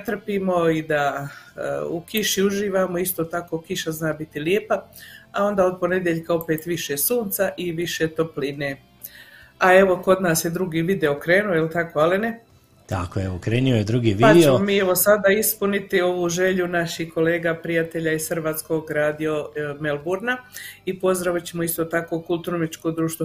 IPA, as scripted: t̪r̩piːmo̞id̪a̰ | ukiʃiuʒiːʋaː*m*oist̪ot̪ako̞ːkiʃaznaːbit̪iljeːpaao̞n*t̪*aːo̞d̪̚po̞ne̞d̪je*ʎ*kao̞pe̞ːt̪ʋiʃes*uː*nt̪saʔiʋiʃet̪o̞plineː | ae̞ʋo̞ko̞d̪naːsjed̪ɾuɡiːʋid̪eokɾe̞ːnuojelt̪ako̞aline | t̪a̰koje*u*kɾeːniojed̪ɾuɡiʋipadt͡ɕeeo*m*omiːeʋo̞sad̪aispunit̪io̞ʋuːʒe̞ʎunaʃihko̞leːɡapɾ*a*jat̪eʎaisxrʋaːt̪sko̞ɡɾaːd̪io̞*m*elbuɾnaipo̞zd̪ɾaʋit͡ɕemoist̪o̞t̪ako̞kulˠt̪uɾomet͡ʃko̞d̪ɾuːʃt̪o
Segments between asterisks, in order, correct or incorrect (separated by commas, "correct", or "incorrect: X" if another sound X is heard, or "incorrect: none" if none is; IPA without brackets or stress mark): correct, incorrect: d̪, correct, correct, incorrect: o, correct, incorrect: i, correct